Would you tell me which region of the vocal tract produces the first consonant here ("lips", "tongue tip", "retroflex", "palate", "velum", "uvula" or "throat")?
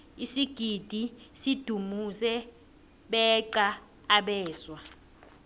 tongue tip